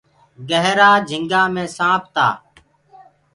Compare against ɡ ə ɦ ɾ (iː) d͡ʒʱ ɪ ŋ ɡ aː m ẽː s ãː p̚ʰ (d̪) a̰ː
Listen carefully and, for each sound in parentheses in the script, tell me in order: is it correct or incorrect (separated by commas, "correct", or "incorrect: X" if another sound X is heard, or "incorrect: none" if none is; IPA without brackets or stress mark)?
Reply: incorrect: aː, incorrect: t̪